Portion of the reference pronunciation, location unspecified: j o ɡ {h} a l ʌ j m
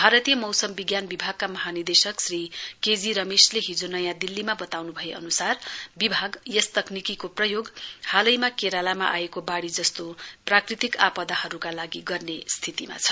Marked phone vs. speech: correct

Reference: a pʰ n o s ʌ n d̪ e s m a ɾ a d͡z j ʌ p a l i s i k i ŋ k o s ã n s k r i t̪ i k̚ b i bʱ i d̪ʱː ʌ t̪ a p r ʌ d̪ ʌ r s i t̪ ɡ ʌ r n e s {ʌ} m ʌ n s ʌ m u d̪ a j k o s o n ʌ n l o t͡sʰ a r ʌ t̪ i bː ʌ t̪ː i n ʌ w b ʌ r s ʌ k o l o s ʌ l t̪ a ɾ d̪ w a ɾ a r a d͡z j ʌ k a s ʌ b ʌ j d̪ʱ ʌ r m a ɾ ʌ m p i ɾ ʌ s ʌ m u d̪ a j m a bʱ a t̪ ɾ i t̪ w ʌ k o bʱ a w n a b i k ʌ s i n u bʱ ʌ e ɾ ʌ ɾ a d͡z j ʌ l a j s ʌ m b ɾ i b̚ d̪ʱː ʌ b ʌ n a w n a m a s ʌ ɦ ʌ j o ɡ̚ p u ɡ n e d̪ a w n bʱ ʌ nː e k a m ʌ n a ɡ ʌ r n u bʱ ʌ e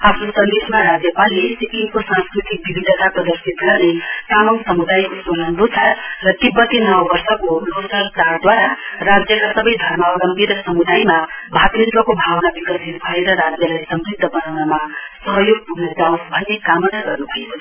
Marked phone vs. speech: incorrect: a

